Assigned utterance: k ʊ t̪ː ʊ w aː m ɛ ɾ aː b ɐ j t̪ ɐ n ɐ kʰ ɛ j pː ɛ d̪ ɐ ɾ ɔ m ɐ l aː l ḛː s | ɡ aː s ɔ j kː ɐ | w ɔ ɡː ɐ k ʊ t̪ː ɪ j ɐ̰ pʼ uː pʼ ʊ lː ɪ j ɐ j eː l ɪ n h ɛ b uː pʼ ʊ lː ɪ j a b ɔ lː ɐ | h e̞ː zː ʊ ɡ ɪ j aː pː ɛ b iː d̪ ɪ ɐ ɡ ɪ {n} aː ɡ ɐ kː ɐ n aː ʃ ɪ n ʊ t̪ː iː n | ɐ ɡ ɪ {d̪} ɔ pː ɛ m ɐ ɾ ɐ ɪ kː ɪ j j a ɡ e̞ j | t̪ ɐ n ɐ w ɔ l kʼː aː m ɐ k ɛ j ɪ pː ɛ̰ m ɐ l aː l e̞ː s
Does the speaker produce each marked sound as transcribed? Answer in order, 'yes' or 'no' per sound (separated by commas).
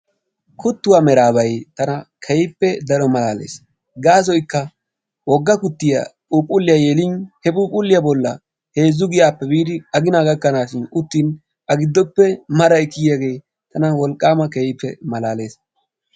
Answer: yes, no